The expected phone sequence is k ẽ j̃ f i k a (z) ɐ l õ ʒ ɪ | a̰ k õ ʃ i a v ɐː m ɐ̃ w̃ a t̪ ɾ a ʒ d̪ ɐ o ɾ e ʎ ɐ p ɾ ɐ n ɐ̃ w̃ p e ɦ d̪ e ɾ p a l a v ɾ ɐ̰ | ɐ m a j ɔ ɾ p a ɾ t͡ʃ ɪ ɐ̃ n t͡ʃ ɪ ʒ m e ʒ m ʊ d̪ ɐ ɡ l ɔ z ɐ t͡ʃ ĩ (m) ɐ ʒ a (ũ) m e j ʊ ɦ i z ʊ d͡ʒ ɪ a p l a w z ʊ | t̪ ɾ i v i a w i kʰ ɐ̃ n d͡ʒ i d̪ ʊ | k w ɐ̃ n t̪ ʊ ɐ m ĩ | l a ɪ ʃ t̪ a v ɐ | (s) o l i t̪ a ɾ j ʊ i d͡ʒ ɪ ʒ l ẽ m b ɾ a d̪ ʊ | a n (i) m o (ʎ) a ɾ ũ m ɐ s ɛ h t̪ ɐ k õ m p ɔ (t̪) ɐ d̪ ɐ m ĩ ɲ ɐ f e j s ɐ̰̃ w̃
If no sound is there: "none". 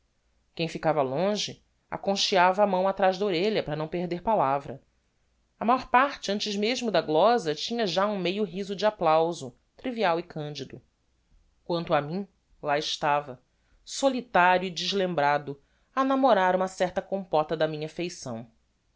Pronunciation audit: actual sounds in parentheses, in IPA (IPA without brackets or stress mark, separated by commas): v, ɲ, ũ, s, a, ɾ, t̪